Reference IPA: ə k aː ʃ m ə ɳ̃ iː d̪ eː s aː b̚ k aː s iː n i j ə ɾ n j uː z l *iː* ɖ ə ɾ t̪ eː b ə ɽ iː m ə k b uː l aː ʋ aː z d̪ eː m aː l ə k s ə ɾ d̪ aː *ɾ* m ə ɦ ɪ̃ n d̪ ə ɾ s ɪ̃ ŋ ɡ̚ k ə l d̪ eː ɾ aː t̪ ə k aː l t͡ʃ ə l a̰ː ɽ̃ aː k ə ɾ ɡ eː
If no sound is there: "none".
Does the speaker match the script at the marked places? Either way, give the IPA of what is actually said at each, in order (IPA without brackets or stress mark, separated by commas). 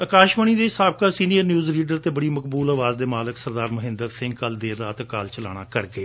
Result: iː, ɾ